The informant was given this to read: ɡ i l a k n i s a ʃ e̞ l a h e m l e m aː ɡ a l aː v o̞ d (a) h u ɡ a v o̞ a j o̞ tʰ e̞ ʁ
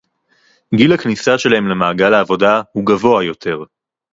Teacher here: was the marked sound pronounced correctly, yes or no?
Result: yes